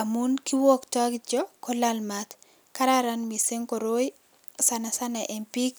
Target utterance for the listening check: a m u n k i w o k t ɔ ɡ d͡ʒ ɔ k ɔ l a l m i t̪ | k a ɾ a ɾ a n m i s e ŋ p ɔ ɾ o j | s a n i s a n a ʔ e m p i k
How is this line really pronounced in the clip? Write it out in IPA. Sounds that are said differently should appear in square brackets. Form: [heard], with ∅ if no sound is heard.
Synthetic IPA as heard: a m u n k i w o k t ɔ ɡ d͡ʒ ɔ k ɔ l a l m [a] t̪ | k a ɾ a ɾ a n m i s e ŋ [k] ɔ ɾ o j | s a n [a] s a n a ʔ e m p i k